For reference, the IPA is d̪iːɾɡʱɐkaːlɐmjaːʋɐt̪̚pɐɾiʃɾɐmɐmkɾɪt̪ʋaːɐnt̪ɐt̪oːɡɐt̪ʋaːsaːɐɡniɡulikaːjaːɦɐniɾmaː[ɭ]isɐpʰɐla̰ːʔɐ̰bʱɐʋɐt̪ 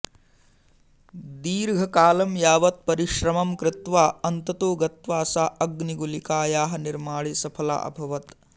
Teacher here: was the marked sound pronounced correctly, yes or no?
yes